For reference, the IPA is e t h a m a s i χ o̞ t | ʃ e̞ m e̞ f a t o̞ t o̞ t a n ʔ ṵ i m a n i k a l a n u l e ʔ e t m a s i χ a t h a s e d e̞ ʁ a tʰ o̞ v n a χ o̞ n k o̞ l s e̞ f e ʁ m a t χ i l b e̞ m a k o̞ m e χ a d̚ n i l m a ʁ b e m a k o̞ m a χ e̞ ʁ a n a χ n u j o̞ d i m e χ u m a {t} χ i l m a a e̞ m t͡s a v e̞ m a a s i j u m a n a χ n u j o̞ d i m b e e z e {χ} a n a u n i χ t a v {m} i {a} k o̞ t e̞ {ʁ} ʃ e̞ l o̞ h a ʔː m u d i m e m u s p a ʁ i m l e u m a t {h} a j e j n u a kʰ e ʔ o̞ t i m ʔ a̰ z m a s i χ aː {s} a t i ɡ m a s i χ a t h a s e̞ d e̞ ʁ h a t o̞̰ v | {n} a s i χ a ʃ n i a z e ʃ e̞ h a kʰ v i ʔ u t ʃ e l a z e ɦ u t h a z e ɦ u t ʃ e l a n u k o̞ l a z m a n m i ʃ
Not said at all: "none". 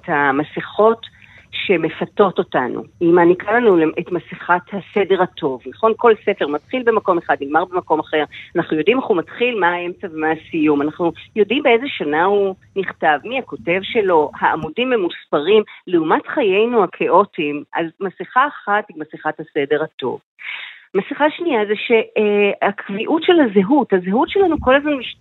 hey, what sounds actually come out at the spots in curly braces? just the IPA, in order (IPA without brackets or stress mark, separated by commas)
t, ʃ, m, a, v, χ, χ, m